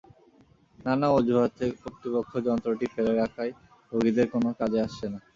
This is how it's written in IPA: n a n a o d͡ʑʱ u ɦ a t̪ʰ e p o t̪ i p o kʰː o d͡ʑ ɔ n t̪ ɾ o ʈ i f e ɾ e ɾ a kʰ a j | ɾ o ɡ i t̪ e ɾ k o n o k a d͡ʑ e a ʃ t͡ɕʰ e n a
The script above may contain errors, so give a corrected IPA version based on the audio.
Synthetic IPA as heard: n a n a o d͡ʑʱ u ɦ a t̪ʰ e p o t̪ i p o kʰː o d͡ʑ ɔ n t̪ ɾ o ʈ i f e ɾ e ɾ a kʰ a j | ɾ o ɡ i d̪ e ɾ k o n o k a d͡ʑ e a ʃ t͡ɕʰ e n a